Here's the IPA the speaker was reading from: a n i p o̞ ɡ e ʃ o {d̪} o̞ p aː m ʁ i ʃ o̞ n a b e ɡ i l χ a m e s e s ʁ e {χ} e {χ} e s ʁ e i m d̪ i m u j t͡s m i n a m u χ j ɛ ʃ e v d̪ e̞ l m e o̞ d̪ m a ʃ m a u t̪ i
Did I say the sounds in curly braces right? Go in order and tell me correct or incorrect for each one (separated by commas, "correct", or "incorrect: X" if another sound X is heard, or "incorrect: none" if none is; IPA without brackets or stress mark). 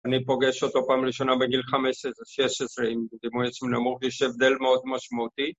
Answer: incorrect: t̪, incorrect: ʃ, incorrect: ʃ